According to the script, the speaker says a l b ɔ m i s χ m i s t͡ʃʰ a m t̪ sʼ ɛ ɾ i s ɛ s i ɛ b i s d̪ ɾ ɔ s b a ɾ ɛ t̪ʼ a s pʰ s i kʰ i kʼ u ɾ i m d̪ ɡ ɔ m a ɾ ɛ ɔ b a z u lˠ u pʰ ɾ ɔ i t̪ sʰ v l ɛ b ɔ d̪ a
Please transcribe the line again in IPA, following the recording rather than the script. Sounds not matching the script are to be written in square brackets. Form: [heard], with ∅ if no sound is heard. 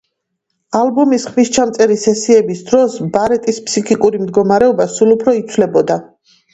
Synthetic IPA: a l b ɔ m i s χ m i s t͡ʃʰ a m t̪ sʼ ɛ ɾ i s ɛ s i ɛ b i s d̪ ɾ ɔ s b a ɾ ɛ t̪ʼ [i] s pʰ s i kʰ i kʼ u ɾ i m d̪ ɡ ɔ m a ɾ ɛ ɔ b a [s] u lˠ u pʰ ɾ ɔ i t̪ sʰ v l ɛ b ɔ d̪ a